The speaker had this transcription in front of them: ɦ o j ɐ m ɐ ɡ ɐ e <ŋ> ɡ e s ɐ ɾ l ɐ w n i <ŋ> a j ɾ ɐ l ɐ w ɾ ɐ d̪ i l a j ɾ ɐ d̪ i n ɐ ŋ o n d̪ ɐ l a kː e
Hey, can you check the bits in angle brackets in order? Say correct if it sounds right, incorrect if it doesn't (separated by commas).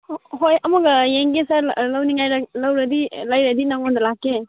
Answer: correct, correct